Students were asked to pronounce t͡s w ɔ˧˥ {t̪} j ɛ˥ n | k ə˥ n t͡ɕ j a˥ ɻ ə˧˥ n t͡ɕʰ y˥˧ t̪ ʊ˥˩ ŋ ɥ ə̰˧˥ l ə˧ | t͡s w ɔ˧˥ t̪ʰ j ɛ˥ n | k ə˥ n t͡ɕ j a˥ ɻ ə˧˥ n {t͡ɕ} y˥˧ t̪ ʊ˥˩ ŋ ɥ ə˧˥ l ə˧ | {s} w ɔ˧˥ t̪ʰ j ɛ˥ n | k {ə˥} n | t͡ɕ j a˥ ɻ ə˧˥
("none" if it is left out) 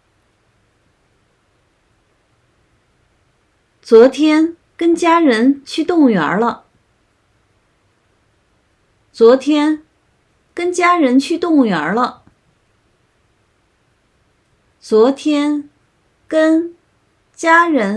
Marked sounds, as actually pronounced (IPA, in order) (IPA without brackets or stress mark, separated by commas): t̪ʰ, t͡ɕʰ, t͡s, ə˥